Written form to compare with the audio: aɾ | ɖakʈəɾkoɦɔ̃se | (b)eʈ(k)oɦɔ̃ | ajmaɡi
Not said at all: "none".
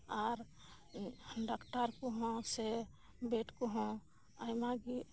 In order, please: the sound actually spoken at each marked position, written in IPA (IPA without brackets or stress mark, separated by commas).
b, k